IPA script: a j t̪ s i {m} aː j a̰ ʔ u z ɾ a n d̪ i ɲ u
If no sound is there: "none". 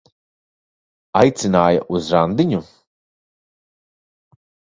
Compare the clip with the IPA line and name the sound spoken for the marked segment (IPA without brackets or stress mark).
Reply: n